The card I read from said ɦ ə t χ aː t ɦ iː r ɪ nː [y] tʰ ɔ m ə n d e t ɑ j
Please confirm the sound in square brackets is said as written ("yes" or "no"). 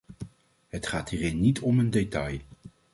no